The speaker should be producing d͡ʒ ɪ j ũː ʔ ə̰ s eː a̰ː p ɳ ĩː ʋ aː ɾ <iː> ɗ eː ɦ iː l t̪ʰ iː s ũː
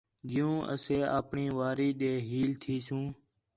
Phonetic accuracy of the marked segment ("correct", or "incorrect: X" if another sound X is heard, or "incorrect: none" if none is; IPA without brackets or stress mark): correct